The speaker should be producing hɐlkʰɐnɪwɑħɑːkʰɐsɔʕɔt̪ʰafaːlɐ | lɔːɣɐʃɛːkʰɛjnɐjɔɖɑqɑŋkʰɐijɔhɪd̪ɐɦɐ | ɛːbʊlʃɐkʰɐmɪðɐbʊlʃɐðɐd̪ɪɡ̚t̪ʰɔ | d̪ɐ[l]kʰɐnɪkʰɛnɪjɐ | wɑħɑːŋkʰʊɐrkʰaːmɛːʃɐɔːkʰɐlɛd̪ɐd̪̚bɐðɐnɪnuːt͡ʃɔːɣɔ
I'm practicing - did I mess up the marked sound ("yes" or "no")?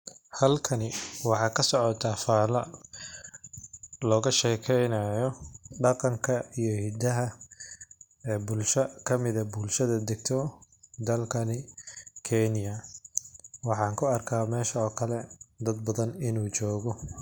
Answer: no